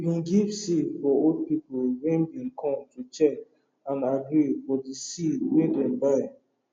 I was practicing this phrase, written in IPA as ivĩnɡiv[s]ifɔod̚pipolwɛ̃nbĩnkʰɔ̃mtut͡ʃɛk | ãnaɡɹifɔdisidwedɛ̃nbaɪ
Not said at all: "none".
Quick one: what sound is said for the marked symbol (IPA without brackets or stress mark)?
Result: s